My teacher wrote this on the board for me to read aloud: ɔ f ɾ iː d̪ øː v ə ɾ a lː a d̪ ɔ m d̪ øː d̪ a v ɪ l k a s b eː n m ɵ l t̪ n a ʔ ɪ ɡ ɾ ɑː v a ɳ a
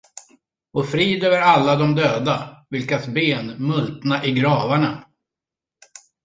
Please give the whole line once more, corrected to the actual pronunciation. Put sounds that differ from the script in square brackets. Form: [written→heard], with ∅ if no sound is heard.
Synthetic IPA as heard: ɔ f ɾ iː d̪ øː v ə ɾ a lː a d̪ ɔ m d̪ øː d̪ a v ɪ l k a s b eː n m ɵ l t̪ n a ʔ ɪ ɡ ɾ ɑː v a ɳ a